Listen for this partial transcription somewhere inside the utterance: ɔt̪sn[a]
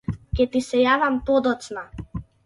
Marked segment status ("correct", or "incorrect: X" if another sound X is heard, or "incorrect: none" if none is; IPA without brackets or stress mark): correct